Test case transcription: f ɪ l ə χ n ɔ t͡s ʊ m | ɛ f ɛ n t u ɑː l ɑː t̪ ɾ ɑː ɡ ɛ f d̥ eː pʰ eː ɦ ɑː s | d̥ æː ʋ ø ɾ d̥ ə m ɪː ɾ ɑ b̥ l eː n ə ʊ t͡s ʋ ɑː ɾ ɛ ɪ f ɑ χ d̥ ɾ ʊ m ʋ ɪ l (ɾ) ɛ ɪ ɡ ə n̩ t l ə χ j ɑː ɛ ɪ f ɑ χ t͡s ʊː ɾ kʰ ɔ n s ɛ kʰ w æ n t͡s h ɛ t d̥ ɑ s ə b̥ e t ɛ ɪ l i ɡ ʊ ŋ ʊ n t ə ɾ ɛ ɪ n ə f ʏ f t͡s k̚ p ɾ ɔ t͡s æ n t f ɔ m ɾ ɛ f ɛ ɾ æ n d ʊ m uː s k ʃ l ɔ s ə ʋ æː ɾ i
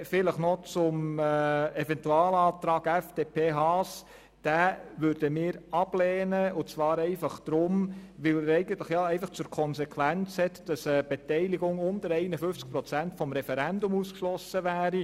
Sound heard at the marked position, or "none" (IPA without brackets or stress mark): ɾ